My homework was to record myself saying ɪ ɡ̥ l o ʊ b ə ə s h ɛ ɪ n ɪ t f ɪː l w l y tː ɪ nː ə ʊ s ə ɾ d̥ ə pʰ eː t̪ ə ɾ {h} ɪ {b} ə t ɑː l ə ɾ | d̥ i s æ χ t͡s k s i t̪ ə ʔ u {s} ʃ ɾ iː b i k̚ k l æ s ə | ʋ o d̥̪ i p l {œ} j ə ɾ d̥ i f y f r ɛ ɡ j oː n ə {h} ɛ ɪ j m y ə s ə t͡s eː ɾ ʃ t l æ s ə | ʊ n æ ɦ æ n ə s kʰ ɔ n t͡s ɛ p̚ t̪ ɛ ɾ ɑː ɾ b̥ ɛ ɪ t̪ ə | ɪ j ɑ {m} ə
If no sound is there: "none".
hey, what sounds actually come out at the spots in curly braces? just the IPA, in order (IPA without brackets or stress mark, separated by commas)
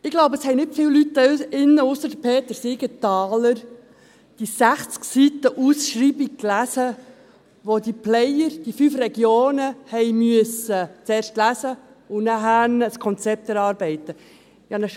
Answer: s, ɡ, s, ɛ, h, n